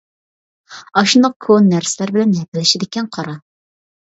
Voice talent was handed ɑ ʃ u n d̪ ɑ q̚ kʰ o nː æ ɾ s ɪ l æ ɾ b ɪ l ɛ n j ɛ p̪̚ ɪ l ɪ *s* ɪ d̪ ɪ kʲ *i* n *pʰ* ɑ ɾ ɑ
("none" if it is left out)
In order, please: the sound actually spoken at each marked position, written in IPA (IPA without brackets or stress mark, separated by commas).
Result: ʃ, ɛ, qʰ